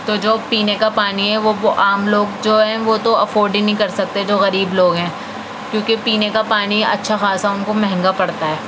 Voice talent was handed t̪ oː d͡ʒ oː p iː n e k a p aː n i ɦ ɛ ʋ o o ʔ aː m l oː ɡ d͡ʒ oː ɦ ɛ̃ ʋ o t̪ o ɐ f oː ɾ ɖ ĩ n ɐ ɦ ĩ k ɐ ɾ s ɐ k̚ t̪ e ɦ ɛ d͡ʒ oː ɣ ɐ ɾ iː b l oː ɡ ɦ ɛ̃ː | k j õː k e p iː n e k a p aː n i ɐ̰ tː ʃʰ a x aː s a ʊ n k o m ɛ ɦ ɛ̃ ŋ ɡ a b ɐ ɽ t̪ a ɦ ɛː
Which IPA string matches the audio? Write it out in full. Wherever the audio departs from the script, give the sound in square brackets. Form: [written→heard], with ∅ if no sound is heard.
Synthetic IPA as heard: t̪ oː d͡ʒ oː p iː n e k a p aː n i ɦ ɛ ʋ o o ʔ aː m l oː ɡ d͡ʒ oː ɦ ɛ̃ ʋ o t̪ o ɐ f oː ɾ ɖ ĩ n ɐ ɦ ĩ k ɐ ɾ s ɐ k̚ t̪ e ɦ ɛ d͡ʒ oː ɣ ɐ ɾ iː b l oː ɡ ɦ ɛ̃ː | k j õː k e p iː n e k a p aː n i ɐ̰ tː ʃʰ a x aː s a ʊ n k o m ɛ ɦ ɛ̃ ŋ ɡ a [b→p] ɐ ɽ t̪ a ɦ ɛː